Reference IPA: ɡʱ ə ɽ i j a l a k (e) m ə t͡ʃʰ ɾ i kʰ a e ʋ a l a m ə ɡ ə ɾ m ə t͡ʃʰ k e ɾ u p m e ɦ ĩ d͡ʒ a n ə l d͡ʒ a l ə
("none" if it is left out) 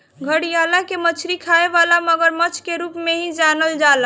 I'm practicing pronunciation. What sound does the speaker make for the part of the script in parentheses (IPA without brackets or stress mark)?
e